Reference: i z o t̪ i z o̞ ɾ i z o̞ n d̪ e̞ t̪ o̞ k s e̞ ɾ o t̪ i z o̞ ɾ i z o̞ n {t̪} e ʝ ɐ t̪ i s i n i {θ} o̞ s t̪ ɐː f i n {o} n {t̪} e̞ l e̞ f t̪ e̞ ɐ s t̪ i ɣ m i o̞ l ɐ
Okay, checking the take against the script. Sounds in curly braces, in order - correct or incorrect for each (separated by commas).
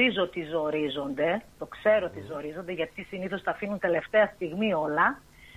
incorrect, correct, incorrect, correct